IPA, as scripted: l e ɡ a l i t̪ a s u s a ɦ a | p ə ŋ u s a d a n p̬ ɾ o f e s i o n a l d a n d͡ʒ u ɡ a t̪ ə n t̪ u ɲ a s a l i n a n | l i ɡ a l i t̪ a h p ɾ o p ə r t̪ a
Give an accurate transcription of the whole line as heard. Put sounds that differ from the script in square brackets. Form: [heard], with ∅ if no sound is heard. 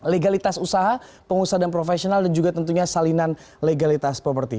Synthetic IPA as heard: l e ɡ a l i t̪ a s u s a ɦ a | p ə ŋ u s a d a n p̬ ɾ o f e s i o n a l d a n d͡ʒ u ɡ a t̪ ə n t̪ u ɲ a s a l i n a n | l [e] ɡ a l i t̪ a [s] p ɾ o p ə r t̪ [i]